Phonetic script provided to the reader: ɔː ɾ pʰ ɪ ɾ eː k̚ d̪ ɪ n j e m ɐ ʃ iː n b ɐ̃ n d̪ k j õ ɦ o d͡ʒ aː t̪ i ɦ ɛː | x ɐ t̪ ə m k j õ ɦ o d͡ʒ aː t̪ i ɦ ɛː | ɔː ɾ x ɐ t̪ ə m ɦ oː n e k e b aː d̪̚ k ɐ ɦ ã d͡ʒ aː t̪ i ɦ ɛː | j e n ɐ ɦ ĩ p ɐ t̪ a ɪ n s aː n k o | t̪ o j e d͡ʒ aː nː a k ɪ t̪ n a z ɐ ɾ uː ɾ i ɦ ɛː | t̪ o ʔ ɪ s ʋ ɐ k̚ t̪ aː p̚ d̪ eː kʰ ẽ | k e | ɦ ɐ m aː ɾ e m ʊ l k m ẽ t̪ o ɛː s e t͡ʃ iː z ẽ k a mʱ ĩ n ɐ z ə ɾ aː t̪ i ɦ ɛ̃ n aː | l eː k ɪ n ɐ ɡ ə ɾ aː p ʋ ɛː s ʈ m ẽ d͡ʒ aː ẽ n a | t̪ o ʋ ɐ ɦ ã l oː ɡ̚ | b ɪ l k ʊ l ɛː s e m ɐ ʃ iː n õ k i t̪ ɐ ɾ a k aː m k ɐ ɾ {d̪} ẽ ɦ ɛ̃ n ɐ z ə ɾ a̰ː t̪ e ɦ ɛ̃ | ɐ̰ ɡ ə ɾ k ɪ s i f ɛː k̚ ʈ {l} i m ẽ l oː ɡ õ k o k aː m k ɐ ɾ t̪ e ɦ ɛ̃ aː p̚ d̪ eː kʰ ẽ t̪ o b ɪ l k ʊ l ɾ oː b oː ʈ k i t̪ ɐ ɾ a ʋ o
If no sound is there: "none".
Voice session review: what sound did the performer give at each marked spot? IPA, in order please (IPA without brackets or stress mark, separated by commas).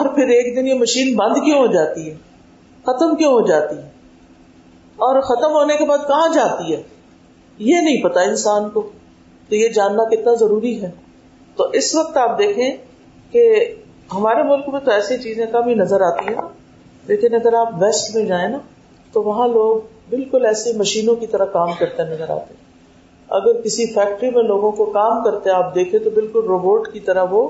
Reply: t̪, ɾ